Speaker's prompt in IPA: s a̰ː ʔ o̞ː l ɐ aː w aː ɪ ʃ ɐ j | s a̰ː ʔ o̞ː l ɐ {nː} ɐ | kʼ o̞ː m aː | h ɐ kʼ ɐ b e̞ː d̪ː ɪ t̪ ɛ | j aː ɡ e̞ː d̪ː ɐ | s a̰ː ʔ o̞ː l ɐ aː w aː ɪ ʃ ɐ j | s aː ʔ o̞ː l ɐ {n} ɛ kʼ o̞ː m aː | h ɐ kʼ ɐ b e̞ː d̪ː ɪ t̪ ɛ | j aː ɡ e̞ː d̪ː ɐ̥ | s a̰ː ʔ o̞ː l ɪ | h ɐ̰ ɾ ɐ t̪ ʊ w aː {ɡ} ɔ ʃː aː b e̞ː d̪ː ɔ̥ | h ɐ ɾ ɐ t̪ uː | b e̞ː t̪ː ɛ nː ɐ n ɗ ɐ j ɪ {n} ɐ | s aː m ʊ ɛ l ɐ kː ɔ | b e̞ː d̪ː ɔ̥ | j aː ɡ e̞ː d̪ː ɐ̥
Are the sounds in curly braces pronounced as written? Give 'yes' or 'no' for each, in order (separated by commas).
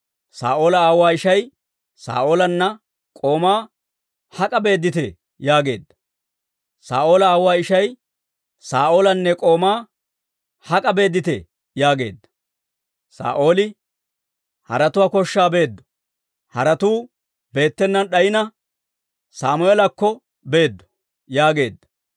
yes, no, no, yes